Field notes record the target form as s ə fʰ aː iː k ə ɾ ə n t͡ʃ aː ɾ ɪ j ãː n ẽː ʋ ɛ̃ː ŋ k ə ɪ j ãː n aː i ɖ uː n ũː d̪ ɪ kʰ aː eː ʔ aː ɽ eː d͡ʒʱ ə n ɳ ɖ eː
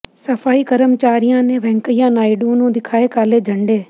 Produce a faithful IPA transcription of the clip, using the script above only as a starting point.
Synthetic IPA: s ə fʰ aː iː k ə ɾ ə m t͡ʃ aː ɾ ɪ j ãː n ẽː ʋ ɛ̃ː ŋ k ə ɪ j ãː n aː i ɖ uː n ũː d̪ ɪ kʰ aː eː k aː l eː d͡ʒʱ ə ɳ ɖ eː